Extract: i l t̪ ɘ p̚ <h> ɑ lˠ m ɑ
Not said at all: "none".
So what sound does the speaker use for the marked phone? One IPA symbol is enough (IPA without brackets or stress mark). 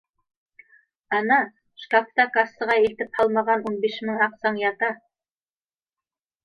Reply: h